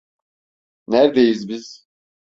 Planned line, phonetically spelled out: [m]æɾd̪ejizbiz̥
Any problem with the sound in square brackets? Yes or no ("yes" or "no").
yes